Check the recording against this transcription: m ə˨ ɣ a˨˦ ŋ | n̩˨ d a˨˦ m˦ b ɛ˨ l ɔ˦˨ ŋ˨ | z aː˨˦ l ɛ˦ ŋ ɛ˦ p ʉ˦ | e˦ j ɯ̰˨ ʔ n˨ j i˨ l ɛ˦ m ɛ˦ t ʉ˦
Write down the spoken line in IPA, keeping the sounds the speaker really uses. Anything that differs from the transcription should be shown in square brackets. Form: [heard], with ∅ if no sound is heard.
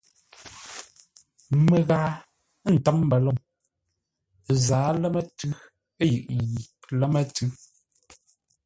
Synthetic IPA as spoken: m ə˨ ɣ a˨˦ [∅] | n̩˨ [t] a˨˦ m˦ b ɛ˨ l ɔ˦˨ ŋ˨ | z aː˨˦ l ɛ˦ [m] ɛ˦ [t] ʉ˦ | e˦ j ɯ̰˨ ʔ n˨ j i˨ l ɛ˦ m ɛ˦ t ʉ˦